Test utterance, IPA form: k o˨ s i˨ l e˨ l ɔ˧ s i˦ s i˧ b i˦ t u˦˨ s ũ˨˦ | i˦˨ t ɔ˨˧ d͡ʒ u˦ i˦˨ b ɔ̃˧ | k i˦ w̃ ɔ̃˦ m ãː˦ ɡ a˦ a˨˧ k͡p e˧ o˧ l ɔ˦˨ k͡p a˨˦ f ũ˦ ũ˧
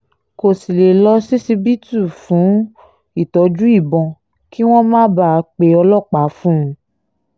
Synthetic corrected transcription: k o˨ s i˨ l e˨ l ɔ˧ s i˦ s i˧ b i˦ t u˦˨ f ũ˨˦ | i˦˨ t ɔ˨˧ d͡ʒ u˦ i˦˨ b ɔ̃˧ | k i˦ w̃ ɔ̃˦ m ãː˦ b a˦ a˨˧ k͡p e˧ ɔ˧ l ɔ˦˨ k͡p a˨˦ f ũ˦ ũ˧